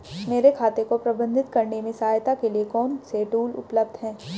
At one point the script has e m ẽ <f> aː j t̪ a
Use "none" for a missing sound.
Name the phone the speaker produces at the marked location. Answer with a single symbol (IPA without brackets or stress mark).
s